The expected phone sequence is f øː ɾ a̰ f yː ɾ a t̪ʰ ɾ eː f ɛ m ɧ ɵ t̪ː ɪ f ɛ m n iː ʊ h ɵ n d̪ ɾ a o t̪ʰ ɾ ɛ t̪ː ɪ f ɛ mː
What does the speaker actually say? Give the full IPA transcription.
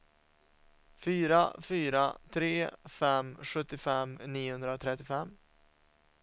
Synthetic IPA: f yː ɾ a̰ f yː ɾ a t̪ʰ ɾ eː f ɛ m ɧ ɵ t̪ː ɪ f ɛ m n iː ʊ h ɵ n d̪ ɾ a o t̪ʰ ɾ ɛ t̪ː ɪ f ɛ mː

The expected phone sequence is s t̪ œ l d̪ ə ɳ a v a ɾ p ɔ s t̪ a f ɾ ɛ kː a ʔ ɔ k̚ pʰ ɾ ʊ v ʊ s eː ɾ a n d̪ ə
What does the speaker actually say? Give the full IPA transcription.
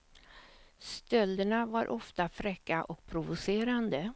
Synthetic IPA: s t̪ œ l d̪ ə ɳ a v a ɾ ʔ ɔ f t̪ a f ɾ ɛ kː a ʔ ɔ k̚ pʰ ɾ ʊ v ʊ s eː ɾ a n d̪ ə

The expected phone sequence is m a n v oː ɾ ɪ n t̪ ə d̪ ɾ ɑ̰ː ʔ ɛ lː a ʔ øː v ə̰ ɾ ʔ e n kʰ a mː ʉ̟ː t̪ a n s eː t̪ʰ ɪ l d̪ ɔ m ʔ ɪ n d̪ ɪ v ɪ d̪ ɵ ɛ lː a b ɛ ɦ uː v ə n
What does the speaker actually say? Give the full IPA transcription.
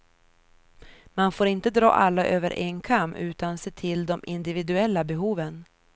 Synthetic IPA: m a n f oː ɾ ɪ n t̪ ə d̪ ɾ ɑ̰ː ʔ a lː a ʔ øː v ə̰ ɾ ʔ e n kʰ a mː ʉ̟ː t̪ a n s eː t̪ʰ ɪ l d̪ ɔ m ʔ ɪ n d̪ ɪ v ɪ d̪ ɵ ɛ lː a b ɛ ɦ uː v ə n

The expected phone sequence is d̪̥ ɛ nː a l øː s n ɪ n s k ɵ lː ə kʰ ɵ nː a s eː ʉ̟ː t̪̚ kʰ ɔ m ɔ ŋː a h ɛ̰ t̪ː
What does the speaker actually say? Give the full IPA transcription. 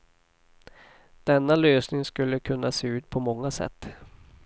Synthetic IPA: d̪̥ ɛ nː a l øː s n ɪ ŋ s k ɵ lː ə kʰ ɵ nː a s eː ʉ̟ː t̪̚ pʰ ɔ m ɔ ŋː a s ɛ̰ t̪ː

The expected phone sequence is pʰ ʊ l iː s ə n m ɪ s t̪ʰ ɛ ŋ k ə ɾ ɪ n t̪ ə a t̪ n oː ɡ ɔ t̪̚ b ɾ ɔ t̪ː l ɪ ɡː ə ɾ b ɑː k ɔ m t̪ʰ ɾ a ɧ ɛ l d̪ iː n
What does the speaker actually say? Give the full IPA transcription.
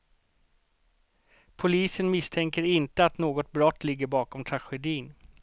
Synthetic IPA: pʰ ʊ l iː s ə n m ɪ s t̪ʰ ɛ ŋ k ə ɾ ɪ n t̪ ə a t̪ n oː ɡ ɔ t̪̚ b ɾ ɔ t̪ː l ɪ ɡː ə ɾ b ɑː k ɔ m t̪ʰ ɾ a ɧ ɛ d̪ iː n

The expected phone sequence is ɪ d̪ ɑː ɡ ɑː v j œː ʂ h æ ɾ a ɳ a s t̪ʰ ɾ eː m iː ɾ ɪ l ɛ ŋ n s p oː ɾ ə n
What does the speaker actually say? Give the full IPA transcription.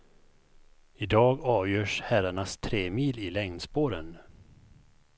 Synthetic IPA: ɪ d̪ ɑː ɡ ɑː v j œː ʂ h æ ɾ a ɳ a s t̪ʰ ɾ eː m iː l ɪ l ɛ ŋ n s p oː ɾ ə n

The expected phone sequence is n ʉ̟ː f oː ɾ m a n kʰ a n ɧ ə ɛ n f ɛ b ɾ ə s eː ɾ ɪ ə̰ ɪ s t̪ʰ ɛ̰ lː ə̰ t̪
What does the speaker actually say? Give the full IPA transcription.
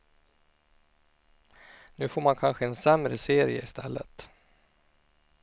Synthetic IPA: n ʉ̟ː f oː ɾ m a n kʰ a n ɧ ə ɛ n s ɛ m ɾ ə s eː ɾ ɪ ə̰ ɪ s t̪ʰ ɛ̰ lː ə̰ t̪

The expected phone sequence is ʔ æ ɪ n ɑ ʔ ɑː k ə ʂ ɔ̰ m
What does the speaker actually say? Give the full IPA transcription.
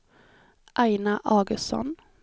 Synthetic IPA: ʔ æ ɪ n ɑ ʔ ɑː ɡ ə s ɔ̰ n

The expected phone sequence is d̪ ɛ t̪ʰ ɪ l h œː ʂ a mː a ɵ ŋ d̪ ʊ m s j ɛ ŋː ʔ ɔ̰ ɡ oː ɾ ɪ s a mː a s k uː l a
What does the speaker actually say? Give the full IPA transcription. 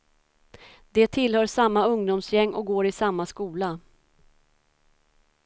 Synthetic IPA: d̪ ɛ t̪ʰ ɪ l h œː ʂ a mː a ɵ ŋ d̪ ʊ m s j ɛ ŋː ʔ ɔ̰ ɡ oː ɾ ɪ s a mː a s k uː l a

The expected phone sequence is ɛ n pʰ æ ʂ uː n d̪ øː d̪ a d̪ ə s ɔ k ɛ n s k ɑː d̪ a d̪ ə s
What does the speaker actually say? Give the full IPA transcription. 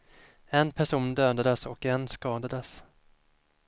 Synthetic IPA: ɛ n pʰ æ ʂ uː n d̪ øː d̪ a d̪ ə s ɔ k ɛ n s k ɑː d̪ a d̪ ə s

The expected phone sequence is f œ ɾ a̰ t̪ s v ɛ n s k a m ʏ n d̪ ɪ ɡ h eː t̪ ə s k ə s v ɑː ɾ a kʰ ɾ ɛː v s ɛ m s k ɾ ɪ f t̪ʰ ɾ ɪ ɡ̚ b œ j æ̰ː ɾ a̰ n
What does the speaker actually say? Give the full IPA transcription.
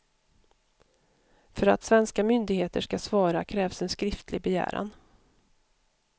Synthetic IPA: f œ ɾ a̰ t̪ s v ɛ n s k a m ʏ n d̪ ɪ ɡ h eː t̪ ə ʂ k a s v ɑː ɾ a kʰ ɾ ɛː v s ɛ n s k ɾ ɪ f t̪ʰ l ɪ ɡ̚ b ɛ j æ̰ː ɾ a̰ n

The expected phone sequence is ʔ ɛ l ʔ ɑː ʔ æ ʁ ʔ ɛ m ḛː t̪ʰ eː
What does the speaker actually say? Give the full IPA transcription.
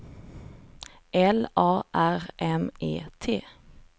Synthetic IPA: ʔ ɛ l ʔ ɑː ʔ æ ʁ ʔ ɛ m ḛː t̪ʰ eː

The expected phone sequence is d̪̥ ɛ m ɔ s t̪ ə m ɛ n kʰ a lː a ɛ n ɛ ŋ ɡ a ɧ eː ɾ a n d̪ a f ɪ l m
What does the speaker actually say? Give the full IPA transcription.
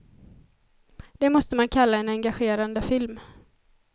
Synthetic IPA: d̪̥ ɛ m ɔ s t̪ ə m a n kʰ a lː a ɛ n ɛ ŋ ɡ a ɧ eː ɾ a n d̪ ə f ɪ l m

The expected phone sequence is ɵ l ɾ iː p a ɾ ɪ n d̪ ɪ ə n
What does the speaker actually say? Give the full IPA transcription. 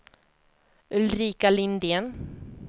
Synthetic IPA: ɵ l ɾ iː k a l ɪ n d̪ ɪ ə n

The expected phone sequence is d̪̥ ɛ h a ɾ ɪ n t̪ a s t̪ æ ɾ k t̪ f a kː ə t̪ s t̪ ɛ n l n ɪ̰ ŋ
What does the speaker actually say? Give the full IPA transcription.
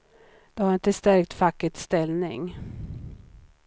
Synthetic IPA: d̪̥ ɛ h a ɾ ɪ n t̪ ə s t̪ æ ɾ k t̪ f a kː ə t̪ s t̪ ɛ l n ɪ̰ ŋ

